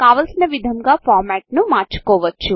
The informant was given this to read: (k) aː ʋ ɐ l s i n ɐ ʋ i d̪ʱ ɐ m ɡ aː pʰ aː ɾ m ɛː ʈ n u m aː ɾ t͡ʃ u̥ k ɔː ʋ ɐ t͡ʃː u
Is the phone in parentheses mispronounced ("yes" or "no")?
no